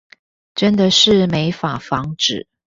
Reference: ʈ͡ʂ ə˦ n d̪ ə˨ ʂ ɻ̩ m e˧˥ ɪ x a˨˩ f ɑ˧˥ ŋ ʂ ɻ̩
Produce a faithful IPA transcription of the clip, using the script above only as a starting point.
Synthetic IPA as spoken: ʈ͡ʂ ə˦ n d̪ ə˨ ʂ ɻ̩ m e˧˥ ɪ f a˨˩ f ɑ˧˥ ŋ ʈ͡ʂ ɻ̩